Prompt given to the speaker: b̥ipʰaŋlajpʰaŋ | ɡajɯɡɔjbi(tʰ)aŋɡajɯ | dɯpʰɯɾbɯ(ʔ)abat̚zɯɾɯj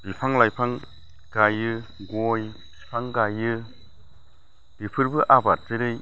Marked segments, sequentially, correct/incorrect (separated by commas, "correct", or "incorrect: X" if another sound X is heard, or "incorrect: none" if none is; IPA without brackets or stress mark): incorrect: pʰ, correct